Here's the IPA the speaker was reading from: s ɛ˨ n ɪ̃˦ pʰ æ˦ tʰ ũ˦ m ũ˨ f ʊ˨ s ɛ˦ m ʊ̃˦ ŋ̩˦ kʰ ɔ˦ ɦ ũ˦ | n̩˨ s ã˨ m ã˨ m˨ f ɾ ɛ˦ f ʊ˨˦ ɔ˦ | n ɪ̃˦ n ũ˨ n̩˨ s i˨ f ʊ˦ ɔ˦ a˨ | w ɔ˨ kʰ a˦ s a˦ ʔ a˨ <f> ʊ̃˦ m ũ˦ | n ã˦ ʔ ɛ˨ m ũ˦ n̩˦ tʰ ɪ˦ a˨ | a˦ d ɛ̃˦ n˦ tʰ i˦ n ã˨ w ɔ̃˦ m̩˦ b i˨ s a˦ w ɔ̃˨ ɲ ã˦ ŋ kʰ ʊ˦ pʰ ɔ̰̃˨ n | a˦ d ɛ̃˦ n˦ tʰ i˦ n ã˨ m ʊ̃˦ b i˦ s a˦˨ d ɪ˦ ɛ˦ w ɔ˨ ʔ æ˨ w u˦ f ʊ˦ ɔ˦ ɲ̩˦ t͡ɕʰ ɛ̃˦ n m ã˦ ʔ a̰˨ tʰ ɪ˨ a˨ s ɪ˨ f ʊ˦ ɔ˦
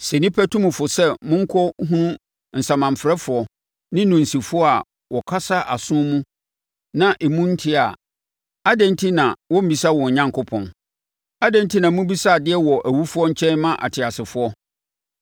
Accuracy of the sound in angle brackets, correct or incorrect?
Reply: incorrect